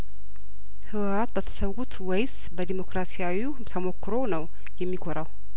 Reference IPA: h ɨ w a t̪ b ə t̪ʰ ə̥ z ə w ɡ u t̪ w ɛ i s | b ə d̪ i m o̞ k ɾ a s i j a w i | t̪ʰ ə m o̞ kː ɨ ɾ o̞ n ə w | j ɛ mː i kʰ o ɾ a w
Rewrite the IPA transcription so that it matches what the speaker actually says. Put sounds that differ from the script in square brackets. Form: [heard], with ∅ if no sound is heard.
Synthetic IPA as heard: h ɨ w a t̪ b ə t̪ʰ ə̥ [s] ə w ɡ u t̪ w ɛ [j] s | b ə d̪ i m o̞ k ɾ a s i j a w i | t̪ʰ ə m o̞ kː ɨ ɾ o̞ n ə w | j ɛ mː i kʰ o ɾ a w